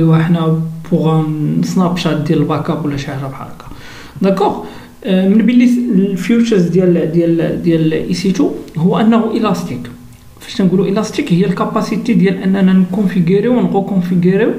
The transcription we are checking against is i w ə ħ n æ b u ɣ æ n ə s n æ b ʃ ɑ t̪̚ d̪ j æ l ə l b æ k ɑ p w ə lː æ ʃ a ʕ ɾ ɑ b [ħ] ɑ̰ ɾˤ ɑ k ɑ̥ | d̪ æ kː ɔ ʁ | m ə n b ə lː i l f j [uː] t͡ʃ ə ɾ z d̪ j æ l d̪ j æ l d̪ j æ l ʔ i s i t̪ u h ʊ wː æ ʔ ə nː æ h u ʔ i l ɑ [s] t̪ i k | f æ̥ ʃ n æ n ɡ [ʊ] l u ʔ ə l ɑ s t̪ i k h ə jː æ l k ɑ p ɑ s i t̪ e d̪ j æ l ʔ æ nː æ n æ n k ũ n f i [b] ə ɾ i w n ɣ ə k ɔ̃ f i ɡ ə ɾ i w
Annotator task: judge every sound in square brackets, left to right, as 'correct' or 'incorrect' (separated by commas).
correct, incorrect, correct, incorrect, incorrect